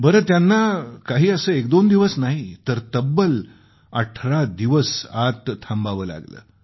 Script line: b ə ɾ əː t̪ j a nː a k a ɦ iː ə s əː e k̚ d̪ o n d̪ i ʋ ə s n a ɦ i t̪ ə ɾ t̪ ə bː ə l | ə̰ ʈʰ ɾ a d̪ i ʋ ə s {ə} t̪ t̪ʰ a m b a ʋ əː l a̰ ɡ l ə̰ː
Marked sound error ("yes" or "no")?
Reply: yes